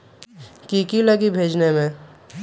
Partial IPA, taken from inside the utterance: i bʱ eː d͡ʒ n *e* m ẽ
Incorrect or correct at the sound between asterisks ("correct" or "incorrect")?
correct